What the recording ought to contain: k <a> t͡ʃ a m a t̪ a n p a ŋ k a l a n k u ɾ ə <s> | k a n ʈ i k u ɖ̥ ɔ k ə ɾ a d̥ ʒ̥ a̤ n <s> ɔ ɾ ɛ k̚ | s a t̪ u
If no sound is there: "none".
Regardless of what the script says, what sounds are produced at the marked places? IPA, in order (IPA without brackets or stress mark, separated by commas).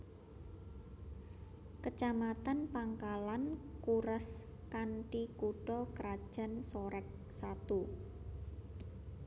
ə, s, s